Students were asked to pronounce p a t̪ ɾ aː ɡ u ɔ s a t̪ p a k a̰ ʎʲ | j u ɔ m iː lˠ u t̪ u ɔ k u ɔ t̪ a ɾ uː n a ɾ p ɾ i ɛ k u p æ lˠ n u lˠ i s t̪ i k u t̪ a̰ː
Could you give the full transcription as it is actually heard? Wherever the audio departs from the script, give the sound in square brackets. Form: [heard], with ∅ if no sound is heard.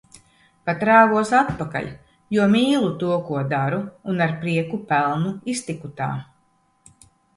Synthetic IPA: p a t̪ ɾ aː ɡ u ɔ s a t̪ p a k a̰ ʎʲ | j u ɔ m iː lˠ u t̪ u ɔ k u ɔ [d̪] a ɾ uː n a ɾ p ɾ i ɛ k u p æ lˠ n u [∅] i s t̪ i k u t̪ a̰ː